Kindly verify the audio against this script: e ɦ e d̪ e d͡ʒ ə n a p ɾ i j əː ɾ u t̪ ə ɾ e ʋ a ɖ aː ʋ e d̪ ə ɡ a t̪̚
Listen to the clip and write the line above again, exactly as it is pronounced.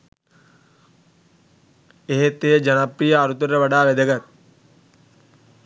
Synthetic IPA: e ɦ e t̪ e d͡ʒ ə n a p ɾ i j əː ɾ u t̪ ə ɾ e ʋ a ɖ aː ʋ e d̪ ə ɡ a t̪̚